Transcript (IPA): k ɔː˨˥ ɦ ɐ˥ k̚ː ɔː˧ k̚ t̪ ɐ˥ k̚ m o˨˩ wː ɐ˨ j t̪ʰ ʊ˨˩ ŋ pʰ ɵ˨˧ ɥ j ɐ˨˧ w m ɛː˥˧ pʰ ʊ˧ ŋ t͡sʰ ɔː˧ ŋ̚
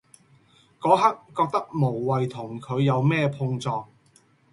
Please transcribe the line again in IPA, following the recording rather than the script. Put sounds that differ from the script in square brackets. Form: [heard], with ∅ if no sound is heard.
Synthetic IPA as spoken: k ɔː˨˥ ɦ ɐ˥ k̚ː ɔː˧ k̚ t̪ ɐ˥ k̚ m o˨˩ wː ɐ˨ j t̪ʰ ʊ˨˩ ŋ [kʰ] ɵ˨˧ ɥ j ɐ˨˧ w m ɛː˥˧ pʰ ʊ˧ ŋ [t͡s] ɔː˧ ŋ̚